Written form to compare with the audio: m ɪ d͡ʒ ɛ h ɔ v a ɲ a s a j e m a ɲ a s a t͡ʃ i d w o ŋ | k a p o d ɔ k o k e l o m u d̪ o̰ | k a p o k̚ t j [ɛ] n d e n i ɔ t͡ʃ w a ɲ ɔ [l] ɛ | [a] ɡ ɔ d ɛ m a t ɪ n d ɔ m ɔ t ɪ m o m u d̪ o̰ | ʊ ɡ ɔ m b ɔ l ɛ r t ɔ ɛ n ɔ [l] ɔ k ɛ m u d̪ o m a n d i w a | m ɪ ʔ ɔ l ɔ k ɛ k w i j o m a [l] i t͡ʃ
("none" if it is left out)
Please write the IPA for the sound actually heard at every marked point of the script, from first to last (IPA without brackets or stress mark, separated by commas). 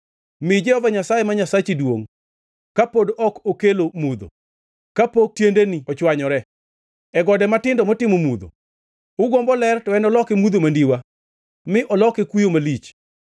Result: e, ɾ, ɛ, l, l